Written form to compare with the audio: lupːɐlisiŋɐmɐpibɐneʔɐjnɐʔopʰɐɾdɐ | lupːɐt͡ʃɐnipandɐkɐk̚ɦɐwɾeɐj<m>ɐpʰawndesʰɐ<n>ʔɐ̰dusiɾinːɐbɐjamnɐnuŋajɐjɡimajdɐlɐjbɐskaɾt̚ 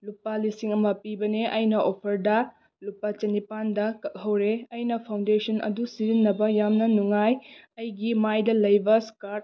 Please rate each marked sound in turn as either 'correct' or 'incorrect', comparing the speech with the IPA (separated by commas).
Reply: incorrect, correct